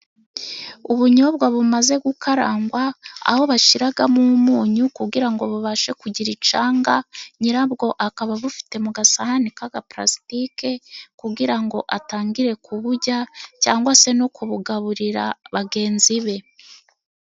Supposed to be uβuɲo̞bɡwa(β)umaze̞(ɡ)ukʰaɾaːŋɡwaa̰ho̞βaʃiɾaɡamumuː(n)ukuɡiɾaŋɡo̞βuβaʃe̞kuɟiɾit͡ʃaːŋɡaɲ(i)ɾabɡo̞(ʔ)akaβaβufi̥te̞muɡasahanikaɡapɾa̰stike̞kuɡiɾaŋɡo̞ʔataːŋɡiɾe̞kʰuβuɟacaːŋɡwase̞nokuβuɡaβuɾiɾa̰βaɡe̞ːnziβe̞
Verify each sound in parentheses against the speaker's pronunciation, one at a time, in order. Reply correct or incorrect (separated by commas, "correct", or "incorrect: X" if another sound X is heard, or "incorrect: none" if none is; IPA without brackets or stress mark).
correct, correct, incorrect: ɲ, correct, correct